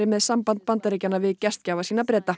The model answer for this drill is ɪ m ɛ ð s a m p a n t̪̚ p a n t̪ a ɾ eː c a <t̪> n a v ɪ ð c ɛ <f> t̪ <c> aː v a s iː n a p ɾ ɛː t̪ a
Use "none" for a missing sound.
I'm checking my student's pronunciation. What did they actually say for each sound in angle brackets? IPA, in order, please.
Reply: none, s, c

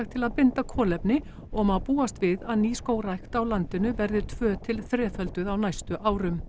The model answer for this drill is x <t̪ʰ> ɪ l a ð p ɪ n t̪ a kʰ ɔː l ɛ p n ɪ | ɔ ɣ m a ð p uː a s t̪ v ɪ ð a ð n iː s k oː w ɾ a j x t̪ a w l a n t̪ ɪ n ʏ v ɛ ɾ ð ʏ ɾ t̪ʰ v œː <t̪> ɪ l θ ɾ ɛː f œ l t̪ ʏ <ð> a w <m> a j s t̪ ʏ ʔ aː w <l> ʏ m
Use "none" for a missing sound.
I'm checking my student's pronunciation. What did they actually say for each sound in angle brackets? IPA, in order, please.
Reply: t̪ʰ, t̪ʰ, ð, n, ɾ

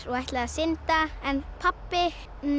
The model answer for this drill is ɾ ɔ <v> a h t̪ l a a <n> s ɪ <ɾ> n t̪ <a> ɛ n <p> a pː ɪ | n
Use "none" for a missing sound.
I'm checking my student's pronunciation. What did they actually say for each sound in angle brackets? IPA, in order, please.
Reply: ɣ, none, none, a, pʰ

